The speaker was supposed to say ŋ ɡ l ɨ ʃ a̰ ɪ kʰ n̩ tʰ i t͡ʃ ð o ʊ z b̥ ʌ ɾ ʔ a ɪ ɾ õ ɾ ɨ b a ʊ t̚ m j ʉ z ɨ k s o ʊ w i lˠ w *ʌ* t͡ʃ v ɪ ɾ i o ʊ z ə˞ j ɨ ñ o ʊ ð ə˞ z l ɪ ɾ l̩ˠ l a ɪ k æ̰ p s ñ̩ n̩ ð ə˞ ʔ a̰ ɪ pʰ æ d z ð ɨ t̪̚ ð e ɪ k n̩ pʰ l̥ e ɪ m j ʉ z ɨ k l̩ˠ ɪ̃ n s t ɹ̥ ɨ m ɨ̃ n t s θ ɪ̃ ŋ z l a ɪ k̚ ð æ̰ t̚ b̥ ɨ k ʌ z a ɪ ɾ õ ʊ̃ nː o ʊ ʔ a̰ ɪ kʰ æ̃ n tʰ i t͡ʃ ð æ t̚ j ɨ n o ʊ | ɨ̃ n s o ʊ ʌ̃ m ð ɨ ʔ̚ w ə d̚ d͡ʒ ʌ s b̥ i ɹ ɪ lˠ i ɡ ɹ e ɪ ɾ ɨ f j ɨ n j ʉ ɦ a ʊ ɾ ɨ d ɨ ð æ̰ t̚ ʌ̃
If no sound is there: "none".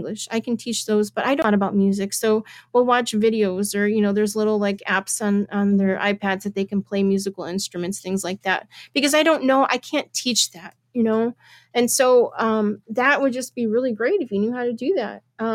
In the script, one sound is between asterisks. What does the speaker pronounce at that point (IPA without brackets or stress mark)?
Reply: ɑ